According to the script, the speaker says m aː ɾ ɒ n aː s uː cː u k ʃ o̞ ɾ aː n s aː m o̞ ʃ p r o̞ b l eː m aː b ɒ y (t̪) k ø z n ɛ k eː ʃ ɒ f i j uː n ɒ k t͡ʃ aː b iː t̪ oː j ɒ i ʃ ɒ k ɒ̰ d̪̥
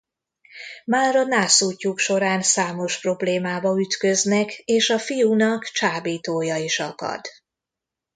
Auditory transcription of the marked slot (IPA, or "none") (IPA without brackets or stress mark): t̪